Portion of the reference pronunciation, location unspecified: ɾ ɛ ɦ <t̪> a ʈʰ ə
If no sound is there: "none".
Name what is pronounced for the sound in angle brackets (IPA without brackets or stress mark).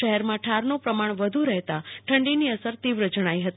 t̪